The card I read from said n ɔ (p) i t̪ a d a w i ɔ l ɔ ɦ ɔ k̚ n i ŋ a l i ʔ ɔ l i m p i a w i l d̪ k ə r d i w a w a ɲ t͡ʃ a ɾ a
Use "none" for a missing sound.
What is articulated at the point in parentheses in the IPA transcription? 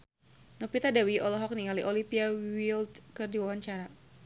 p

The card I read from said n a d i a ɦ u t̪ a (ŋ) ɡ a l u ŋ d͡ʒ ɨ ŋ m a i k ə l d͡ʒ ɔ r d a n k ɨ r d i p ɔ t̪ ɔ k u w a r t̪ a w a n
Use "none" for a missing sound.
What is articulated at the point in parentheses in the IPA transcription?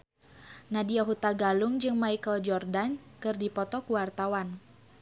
none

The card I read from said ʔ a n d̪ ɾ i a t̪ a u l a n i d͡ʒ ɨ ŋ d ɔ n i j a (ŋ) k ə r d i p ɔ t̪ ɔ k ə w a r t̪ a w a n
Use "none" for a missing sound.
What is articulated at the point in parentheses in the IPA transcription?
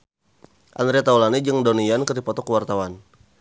n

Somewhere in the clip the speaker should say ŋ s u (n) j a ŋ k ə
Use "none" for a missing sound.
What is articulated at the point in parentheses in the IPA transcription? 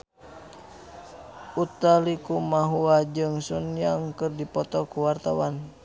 n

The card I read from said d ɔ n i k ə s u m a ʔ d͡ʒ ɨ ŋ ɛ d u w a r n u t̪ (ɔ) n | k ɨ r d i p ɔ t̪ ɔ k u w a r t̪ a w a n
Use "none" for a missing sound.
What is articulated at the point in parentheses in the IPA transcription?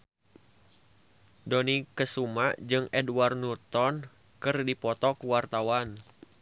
ɔ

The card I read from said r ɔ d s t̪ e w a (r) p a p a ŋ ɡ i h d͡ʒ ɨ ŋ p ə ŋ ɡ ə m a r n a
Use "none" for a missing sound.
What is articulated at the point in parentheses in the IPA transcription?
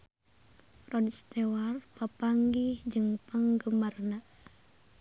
r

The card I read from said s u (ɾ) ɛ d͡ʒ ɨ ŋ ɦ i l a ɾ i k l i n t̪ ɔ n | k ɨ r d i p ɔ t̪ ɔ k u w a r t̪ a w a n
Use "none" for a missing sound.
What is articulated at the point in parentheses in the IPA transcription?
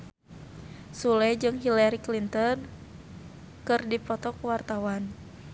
l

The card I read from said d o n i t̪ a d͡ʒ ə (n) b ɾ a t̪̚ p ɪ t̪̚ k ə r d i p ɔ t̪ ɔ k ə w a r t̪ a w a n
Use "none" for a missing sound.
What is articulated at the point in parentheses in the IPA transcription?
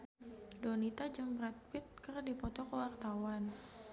m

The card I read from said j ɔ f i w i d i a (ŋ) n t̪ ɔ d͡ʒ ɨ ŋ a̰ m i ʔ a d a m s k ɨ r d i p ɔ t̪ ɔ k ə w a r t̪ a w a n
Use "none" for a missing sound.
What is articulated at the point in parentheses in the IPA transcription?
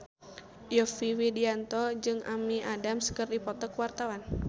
none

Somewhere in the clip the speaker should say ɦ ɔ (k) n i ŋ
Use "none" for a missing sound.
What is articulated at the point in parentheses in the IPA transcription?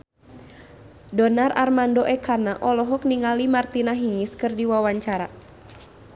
k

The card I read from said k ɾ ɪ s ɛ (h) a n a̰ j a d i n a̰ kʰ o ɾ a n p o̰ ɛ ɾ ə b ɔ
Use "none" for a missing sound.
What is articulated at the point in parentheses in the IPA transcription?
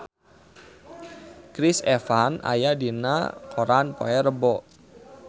f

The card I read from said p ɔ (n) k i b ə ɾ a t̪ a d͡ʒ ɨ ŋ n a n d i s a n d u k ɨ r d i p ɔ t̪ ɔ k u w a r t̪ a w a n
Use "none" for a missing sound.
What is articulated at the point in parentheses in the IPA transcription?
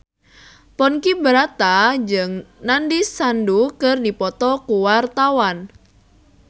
n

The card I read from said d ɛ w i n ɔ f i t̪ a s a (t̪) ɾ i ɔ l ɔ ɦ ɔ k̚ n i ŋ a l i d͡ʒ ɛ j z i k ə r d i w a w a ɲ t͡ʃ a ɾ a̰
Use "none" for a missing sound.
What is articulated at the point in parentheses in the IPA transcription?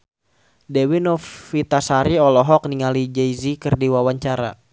none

